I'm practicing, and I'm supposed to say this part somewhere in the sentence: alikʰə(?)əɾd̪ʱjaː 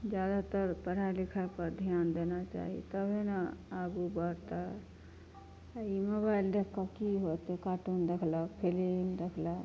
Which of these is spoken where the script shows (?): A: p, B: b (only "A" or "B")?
A